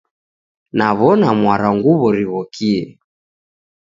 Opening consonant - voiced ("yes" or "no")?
yes